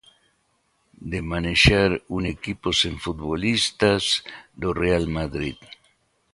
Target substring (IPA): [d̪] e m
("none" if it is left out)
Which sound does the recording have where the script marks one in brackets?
d̪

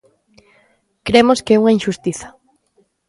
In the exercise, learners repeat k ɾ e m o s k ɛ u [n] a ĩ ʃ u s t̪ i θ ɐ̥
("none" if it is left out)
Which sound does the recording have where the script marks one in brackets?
ŋ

